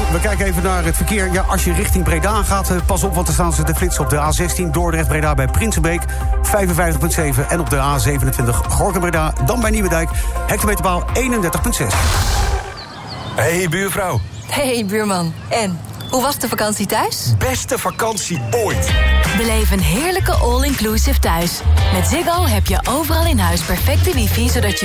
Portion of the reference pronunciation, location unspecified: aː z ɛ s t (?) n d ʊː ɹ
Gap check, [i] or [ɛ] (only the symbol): i